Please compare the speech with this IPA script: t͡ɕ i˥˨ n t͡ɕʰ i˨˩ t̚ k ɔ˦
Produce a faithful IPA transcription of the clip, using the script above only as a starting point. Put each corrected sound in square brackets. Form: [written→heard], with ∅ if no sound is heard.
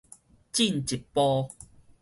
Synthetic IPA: t͡ɕ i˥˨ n [t͡ɕʰ→t͡ɕ] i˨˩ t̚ [k→p] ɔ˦